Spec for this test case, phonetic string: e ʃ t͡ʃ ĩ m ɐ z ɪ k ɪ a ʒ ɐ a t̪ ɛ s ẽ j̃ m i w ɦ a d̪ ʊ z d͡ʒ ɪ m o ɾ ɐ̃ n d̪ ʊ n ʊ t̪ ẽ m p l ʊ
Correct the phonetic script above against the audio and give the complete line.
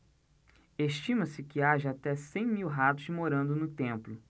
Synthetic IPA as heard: e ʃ t͡ʃ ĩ m ɐ s ɪ k ɪ a ʒ ɐ a t̪ ɛ s ẽ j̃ m i w ɦ a t̪ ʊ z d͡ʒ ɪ m o ɾ ɐ̃ n d̪ ʊ n ʊ t̪ ẽ m p l ʊ